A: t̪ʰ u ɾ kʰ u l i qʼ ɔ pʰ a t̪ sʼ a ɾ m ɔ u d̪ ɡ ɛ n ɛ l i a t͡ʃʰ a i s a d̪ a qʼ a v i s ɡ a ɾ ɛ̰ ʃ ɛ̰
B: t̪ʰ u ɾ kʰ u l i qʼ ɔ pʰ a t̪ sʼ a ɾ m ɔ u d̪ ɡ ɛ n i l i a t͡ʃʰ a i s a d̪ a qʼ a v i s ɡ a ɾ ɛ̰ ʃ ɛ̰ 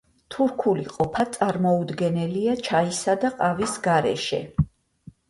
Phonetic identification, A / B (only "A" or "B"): A